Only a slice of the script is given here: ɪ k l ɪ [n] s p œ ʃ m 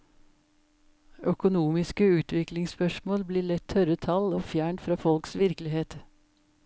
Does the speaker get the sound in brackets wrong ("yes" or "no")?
yes